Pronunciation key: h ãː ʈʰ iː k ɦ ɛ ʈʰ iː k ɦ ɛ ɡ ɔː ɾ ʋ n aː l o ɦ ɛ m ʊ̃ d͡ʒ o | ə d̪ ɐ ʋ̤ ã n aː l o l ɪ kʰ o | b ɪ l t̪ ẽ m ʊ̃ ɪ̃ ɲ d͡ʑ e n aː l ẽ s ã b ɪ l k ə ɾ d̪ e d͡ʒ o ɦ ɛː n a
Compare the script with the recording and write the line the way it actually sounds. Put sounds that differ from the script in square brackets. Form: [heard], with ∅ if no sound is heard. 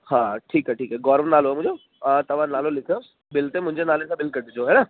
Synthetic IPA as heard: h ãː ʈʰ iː k ɦ ɛ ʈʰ iː k ɦ ɛ ɡ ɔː ɾ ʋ n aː l o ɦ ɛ m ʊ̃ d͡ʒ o | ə [t̪] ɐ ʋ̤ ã n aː l o l ɪ kʰ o | b ɪ l t̪ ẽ m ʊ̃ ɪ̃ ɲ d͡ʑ e n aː l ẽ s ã b ɪ l k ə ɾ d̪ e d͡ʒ o ɦ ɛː n a

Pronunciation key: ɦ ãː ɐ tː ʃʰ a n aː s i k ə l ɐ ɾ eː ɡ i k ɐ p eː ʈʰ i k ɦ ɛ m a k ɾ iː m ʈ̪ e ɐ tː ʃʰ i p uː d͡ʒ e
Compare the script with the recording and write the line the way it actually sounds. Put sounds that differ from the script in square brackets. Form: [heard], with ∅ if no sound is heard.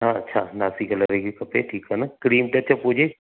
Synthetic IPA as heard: ɦ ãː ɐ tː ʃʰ a n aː s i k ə l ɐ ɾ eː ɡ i k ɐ p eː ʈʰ [iː] k ɦ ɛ [n] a k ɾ iː m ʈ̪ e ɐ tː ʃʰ [a] p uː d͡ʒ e

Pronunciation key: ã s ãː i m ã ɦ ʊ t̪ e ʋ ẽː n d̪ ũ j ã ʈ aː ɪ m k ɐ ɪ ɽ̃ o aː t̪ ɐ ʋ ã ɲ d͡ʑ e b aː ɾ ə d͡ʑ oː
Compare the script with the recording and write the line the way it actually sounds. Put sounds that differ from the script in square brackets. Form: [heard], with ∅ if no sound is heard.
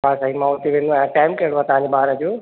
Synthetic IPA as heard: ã s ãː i m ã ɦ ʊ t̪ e ʋ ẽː n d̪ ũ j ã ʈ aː ɪ m k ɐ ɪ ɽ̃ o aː t̪ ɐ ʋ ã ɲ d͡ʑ e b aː ɾ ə d͡ʑ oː

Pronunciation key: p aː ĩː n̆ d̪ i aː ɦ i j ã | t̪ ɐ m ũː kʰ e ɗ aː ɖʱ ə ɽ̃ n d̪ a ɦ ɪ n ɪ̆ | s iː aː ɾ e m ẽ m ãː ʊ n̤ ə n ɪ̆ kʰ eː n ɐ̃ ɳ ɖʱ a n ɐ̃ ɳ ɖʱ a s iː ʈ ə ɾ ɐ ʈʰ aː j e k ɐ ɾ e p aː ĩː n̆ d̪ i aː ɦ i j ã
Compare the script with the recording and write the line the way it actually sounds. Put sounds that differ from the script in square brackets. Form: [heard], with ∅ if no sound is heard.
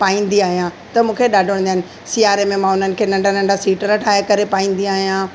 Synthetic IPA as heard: p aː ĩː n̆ d̪ i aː ɦ i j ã | t̪ ɐ m ũː kʰ e ɗ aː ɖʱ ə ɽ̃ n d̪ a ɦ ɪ n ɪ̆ | s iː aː ɾ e m ẽ m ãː ʊ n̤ ə n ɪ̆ kʰ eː n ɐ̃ ɳ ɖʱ a n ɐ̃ ɳ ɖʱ a s iː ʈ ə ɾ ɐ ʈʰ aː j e k ɐ ɾ e p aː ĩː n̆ d̪ i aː ɦ i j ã

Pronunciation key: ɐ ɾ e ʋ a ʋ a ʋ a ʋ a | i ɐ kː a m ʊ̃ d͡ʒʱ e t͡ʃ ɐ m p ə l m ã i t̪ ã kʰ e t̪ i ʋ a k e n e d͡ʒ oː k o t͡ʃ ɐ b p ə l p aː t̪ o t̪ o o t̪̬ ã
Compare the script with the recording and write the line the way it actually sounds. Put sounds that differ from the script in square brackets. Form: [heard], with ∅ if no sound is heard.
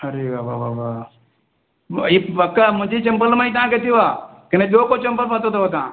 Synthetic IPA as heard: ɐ ɾ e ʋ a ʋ a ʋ a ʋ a | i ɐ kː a m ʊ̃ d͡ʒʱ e t͡ʃ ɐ m p ə l m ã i t̪ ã [k] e t̪ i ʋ a k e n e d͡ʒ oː k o t͡ʃ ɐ [m] p ə l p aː t̪ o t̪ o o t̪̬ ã

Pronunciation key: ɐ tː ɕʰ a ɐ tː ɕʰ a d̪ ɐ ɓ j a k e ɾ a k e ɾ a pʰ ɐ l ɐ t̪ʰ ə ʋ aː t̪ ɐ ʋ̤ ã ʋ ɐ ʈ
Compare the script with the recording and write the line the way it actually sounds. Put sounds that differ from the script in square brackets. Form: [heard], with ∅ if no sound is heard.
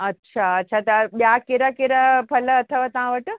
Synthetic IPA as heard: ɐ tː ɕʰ a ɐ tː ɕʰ a [t̪] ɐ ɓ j a k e ɾ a k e ɾ a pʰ ɐ l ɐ t̪ʰ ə ʋ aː t̪ ɐ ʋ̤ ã ʋ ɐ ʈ

